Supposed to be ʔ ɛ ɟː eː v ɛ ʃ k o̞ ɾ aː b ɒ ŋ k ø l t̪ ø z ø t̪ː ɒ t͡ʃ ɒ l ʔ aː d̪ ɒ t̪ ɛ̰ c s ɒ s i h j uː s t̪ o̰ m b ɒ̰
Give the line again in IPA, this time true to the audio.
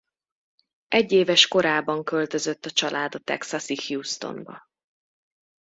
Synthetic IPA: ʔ ɛ ɟː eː v ɛ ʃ k o̞ ɾ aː b ɒ ŋ k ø l t̪ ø z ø t̪ː ɒ t͡ʃ ɒ l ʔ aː d̪ ɒ t̪ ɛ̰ k s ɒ s i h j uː s t̪ o̰ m b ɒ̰

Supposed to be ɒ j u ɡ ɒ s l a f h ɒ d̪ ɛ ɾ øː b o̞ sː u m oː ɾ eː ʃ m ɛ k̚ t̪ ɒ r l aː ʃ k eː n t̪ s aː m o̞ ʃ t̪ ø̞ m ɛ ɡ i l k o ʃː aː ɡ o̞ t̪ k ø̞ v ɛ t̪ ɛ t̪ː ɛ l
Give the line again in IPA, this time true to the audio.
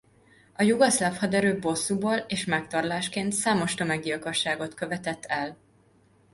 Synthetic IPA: ɒ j u ɡ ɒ s l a f h ɒ d̪ ɛ ɾ øː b o̞ sː u b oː l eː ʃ m ɛ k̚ t̪ ɒ r l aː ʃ k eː n t̪ s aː m o̞ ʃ t̪ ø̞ m ɛ ɡ i l k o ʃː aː ɡ o̞ t̪ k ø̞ v ɛ t̪ ɛ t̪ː ɛ l

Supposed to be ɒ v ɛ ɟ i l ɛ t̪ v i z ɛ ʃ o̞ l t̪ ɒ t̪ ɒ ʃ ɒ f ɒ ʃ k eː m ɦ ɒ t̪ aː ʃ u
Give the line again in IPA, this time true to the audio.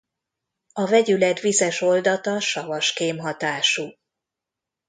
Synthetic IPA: ɒ v ɛ ɟ y l ɛ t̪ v i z ɛ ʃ o̞ l d̪ ɒ t̪ ɒ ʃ ɒ v ɒ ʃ k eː m ɦ ɒ t̪ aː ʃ u

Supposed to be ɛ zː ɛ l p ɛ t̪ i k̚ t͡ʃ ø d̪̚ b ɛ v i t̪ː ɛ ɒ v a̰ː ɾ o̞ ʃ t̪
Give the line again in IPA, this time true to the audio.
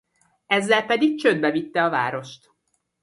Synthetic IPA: ɛ zː ɛ l p ɛ d̪ i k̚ t͡ʃ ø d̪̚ b ɛ v i t̪ː ɛ ɒ v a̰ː ɾ o̞ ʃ t̪

